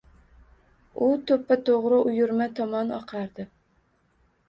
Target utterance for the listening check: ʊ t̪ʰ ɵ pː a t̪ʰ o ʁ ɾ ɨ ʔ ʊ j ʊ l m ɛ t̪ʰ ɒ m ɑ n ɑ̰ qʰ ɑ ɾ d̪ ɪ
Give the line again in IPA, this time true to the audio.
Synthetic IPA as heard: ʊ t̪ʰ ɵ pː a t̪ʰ o ʁ ɾ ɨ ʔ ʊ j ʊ ɾ m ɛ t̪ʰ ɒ m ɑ n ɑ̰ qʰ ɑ ɾ d̪ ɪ